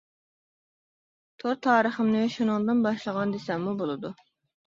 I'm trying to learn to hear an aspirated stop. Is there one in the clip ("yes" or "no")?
yes